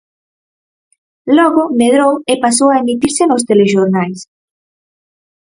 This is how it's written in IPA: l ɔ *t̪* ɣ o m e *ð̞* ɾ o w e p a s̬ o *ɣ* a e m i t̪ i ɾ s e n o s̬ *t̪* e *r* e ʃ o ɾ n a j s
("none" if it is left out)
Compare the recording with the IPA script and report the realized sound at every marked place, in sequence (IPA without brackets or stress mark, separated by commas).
none, ð̞, w, t̪, l